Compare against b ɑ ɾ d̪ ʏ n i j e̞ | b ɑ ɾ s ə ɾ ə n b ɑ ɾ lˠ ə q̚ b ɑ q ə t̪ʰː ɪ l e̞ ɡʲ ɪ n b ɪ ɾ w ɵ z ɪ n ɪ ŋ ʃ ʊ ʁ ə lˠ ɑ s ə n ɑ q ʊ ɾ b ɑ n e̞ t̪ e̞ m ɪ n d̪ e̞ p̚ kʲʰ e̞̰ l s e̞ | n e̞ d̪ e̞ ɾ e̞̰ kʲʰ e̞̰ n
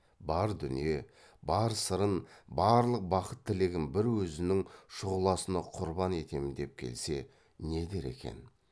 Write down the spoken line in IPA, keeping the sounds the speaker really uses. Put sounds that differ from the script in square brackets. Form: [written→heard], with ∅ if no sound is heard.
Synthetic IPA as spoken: b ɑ ɾ d̪ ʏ n i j e̞ | b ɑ ɾ s ə ɾ ə n b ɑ ɾ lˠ ə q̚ b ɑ q ə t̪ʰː ɪ l e̞ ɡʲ ɪ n b ɪ ɾ w ɵ z ɪ n ɪ ŋ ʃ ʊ ʁ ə lˠ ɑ s ə n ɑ [q→qʰ] ʊ ɾ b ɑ n e̞ t̪ e̞ m ɪ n d̪ e̞ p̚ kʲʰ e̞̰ l s e̞ | n e̞ d̪ e̞ ɾ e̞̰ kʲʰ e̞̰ n

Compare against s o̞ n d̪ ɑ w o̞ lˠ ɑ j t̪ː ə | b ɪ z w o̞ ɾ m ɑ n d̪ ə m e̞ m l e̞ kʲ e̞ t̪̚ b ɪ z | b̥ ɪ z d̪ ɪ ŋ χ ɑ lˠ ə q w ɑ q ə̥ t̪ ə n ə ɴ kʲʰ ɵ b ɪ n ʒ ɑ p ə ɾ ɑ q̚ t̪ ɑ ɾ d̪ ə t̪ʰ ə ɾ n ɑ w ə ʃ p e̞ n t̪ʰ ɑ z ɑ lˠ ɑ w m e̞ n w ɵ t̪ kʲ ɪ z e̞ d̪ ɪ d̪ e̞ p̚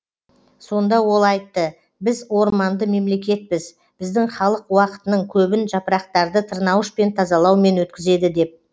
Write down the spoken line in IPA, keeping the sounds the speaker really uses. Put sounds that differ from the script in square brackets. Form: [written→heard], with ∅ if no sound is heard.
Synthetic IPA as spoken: s o̞ n d̪ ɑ w o̞ lˠ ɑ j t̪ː ə | b ɪ z w o̞ ɾ m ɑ n d̪ ə m e̞ m l e̞ kʲ e̞ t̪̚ b ɪ z | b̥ ɪ z d̪ ɪ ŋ χ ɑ lˠ ə q w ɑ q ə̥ t̪ ə n ə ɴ kʲʰ ɵ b ɪ n ʒ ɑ p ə ɾ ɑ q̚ t̪ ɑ ɾ d̪ ə t̪ʰ ə ɾ n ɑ w ə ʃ p e̞ n t̪ʰ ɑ z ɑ lˠ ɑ w m e̞ n w ɵ t̪ kʲ ɪ z e̞ d̪ ɪ d̪ e̞ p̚

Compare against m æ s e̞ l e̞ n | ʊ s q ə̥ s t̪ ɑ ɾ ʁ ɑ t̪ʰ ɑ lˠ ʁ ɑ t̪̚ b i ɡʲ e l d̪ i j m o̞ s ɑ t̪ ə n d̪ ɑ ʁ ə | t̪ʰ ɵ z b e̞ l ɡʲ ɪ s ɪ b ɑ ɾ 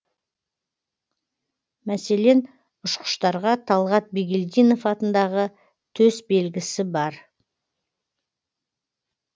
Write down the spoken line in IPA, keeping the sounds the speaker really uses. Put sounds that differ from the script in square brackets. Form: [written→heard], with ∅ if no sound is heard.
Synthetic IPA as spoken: m æ s e̞ l e̞ n | ʊ [s→ʃ] q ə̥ [s→ʃ] t̪ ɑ ɾ ʁ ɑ t̪ʰ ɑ lˠ ʁ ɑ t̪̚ b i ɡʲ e l d̪ i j [m→n] o̞ [s→f] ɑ t̪ ə n d̪ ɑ ʁ ə | t̪ʰ ɵ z b e̞ l ɡʲ ɪ s ɪ b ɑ ɾ

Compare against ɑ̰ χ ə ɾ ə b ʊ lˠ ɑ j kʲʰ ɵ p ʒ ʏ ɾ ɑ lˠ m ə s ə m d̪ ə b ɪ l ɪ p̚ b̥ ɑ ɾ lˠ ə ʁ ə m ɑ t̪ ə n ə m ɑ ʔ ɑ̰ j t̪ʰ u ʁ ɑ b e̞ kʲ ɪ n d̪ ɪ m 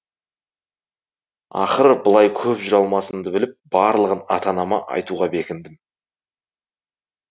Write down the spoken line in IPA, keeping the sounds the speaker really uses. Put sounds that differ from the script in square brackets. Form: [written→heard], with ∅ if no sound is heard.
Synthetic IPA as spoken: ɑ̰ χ ə ɾ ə b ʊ lˠ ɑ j kʲʰ ɵ p ʒ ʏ ɾ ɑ lˠ m [ə→ɑ] s ə m d̪ ə b ɪ l ɪ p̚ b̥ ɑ ɾ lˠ ə ʁ ə [m→n] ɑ t̪ [ə→ɑ] n [ə→ɑ] m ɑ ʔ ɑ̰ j [t̪ʰ→t̪] u ʁ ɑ b e̞ kʲ ɪ n d̪ ɪ m

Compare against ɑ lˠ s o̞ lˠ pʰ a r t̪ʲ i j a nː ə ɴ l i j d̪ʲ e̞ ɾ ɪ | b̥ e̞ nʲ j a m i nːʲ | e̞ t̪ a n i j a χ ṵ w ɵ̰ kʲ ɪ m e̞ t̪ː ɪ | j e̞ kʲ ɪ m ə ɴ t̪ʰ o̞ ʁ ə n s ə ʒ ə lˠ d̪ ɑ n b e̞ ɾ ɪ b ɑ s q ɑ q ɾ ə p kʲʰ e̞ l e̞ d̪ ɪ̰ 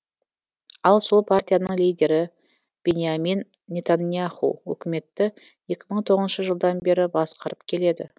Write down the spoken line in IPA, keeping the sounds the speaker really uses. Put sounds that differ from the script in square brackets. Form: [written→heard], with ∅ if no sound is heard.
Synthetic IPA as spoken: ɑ lˠ s o̞ lˠ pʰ a r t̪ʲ i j a [nː→n] ə ɴ l i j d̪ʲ e̞ ɾ ɪ | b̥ e̞ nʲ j a m i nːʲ | e̞ t̪ a n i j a χ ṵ w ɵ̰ kʲ ɪ m e̞ t̪ː ɪ | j e̞ kʲ ɪ m ə ɴ t̪ʰ o̞ ʁ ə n [s→ʃ] ə ʒ ə lˠ d̪ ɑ n b e̞ ɾ ɪ b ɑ s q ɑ [q→∅] ɾ ə p kʲʰ e̞ l e̞ d̪ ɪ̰

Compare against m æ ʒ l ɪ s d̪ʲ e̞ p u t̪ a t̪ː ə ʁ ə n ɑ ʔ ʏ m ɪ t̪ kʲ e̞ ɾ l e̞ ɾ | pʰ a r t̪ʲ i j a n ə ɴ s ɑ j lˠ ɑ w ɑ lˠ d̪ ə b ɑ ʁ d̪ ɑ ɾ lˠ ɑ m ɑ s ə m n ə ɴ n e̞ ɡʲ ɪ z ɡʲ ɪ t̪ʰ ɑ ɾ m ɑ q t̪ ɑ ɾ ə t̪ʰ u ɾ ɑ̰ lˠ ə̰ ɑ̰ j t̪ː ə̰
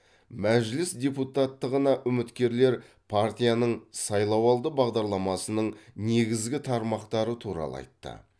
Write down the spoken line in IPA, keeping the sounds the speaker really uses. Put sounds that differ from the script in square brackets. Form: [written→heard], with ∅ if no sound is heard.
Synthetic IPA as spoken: m æ ʒ l ɪ s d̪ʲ e̞ p u t̪ a t̪ː ə ʁ ə n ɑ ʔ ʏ m ɪ t̪ kʲ e̞ ɾ l e̞ ɾ | pʰ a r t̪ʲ i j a n ə ɴ s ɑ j lˠ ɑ w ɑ lˠ d̪ ə b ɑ ʁ d̪ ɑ ɾ lˠ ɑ m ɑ s ə [m→∅] n ə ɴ n e̞ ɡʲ ɪ z ɡʲ ɪ t̪ʰ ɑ ɾ m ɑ q t̪ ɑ ɾ ə t̪ʰ u ɾ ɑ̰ lˠ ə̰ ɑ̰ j t̪ː ə̰

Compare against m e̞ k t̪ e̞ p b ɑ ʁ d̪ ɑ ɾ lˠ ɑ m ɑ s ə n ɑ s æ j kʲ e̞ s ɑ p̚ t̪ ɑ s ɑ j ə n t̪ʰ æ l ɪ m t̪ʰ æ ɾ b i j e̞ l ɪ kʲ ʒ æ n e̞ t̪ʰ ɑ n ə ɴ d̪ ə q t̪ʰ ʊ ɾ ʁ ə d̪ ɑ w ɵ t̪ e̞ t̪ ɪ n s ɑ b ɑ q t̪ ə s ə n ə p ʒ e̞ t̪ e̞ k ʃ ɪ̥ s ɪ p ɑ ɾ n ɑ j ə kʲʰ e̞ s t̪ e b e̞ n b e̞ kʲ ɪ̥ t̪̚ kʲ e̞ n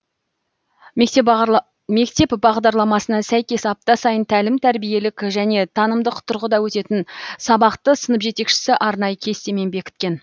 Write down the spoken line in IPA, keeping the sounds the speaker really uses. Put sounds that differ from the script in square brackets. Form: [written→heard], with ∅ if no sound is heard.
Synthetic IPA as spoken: m e̞ k t̪ e̞ p b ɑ ʁ d̪ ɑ ɾ lˠ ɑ m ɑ s ə n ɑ s æ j kʲ e̞ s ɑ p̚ t̪ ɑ s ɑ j ə n t̪ʰ æ l ɪ m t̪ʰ æ ɾ b i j e̞ l ɪ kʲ ʒ æ n e̞ t̪ʰ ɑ n ə [ɴ→m] d̪ ə q t̪ʰ ʊ ɾ ʁ ə d̪ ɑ w ɵ t̪ e̞ t̪ ɪ n s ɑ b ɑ q t̪ ə s ə n ə p ʒ e̞ t̪ e̞ k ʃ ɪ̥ s ɪ [p→ʔ] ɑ ɾ n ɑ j ə kʲʰ e̞ s t̪ e [b→m] e̞ n b e̞ kʲ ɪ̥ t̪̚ kʲ e̞ n

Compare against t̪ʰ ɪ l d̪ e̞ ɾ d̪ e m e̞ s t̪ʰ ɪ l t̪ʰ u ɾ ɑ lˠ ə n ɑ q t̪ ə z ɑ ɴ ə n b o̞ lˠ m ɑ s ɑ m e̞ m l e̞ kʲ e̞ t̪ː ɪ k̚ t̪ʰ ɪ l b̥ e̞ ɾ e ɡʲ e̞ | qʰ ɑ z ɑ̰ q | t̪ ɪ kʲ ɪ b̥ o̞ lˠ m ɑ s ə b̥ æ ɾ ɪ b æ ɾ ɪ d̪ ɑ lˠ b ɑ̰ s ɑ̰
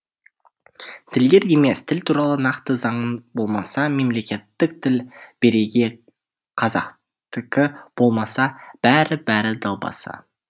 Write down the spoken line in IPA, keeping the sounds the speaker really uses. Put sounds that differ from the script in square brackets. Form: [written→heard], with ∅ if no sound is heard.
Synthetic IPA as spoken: t̪ʰ ɪ l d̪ e̞ ɾ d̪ e m e̞ s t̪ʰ ɪ l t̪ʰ u ɾ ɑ lˠ ə n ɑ q t̪ ə z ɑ ɴ ə n b o̞ lˠ m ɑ s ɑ m e̞ m l e̞ kʲ e̞ t̪ː ɪ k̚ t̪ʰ ɪ l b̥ e̞ ɾ e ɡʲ e̞ | qʰ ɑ z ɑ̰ q | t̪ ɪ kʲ ɪ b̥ o̞ lˠ m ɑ s [ə→ɑ] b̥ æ ɾ ɪ b æ ɾ ɪ d̪ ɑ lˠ b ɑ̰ s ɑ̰

